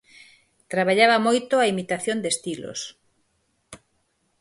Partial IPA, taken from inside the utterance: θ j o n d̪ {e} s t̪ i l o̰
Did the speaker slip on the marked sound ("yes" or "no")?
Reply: no